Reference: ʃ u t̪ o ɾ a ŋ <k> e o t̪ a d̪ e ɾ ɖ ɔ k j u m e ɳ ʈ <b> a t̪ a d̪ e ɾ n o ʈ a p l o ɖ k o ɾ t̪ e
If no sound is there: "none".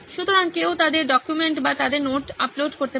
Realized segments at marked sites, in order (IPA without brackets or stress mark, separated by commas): k, b